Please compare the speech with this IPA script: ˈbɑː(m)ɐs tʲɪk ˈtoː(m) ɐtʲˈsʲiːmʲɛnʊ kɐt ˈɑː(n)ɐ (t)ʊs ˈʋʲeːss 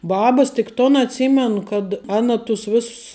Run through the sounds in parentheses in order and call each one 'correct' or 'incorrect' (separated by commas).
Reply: incorrect, incorrect, correct, correct